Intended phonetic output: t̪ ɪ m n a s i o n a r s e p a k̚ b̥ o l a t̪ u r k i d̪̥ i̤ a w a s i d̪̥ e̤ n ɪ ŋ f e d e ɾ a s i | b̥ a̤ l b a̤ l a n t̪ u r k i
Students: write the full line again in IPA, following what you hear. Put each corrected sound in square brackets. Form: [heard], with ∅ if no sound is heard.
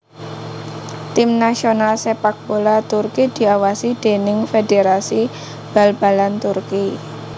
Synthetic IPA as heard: t̪ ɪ m n a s i o n a [l] s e p a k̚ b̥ o l a t̪ u r k i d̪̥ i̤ a w a s i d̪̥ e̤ n ɪ ŋ f e d e ɾ a s i | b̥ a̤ l b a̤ l a n t̪ u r k i